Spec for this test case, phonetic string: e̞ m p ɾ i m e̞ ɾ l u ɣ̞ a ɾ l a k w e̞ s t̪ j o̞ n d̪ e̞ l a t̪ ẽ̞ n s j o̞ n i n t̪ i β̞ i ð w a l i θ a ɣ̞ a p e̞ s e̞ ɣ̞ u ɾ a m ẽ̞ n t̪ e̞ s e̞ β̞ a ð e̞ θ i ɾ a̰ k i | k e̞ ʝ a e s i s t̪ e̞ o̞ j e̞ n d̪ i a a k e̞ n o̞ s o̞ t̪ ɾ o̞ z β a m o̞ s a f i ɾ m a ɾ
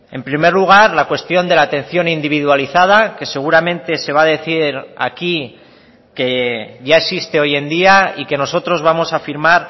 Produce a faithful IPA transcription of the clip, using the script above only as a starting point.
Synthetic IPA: e̞ m p ɾ i m e̞ ɾ l u ɣ̞ a ɾ l a k w e̞ s t̪ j o̞ n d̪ e̞ l a t̪ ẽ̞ n θ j o̞ n i n d̪ i β̞ i ð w a l i θ a ð̞ a k e̞ s e̞ ɣ̞ u ɾ a m ẽ̞ n t̪ e̞ s e̞ β̞ a ð e̞ θ i ɾ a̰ k i | k e̞ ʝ a e s i s t̪ e̞ o̞ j e̞ n d̪ i a i k e̞ n o̞ s o̞ t̪ ɾ o̞ z β a m o̞ s a f i ɾ m a ɾ